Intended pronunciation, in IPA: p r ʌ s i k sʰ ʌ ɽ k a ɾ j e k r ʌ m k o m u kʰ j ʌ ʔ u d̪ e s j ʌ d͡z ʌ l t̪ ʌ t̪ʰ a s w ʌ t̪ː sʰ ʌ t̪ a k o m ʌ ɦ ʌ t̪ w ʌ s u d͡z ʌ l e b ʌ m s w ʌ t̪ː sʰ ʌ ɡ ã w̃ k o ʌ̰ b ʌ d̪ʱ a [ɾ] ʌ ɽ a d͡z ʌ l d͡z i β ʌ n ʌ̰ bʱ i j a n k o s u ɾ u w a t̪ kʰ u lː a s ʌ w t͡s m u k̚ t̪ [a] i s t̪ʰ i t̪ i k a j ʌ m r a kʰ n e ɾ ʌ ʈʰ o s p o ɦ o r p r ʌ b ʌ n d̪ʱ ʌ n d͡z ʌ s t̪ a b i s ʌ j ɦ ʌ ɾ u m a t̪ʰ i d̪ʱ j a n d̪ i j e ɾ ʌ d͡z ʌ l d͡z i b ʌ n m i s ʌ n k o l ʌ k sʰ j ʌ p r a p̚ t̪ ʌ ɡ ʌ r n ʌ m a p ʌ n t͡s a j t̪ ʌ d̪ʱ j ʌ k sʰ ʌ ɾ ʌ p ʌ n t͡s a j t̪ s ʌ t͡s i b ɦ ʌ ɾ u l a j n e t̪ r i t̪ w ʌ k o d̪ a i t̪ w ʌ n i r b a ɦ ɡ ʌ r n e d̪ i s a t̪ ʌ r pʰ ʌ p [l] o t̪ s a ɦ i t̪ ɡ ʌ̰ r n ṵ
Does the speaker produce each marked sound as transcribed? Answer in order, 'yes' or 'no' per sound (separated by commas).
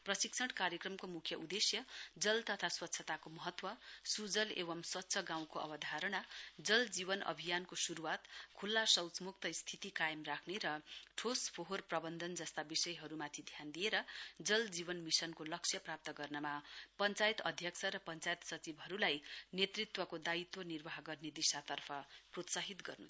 yes, no, no